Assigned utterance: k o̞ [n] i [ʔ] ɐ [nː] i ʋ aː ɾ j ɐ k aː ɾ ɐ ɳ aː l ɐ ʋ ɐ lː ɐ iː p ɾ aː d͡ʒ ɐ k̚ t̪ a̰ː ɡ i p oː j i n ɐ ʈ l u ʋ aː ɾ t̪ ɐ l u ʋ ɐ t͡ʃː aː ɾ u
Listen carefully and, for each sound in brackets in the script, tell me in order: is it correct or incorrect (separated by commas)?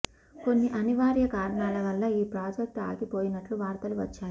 incorrect, correct, incorrect